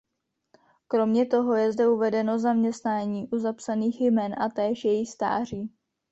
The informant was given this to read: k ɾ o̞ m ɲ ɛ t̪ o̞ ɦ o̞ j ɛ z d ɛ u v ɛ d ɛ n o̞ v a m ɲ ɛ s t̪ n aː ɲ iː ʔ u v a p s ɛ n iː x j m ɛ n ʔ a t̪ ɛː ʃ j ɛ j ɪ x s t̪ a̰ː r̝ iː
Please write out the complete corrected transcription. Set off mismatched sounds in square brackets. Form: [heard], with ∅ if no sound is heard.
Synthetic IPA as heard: k ɾ o̞ m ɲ ɛ t̪ o̞ ɦ o̞ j ɛ z d ɛ u v ɛ d ɛ n o̞ [z] a m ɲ ɛ s t̪ n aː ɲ iː ʔ u [z] a p s [a] n iː x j m ɛ n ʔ a t̪ ɛː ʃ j ɛ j ɪ x s t̪ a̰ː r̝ iː